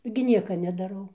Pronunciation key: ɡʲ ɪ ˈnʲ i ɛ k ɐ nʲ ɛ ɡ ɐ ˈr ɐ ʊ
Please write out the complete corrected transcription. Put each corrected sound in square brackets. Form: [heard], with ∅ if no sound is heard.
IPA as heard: ɡʲ ɪ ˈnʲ i ɛ k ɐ nʲ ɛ [d] ɐ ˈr ɐ ʊ